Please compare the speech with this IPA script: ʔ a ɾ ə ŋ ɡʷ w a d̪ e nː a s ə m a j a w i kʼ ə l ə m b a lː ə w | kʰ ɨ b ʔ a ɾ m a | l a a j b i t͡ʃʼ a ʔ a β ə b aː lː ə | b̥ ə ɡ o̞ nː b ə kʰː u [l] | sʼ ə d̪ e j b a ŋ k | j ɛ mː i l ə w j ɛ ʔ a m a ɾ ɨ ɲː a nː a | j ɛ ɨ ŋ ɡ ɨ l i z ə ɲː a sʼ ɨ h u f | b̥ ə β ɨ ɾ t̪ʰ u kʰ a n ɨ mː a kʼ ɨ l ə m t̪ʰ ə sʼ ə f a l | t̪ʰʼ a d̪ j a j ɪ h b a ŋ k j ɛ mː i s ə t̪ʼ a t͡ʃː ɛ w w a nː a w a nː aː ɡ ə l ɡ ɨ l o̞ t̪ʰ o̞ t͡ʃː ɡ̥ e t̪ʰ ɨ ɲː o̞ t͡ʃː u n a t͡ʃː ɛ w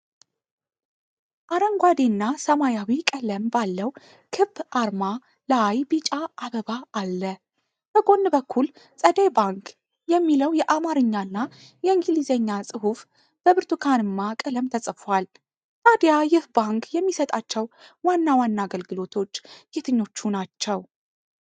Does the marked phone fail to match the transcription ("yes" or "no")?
no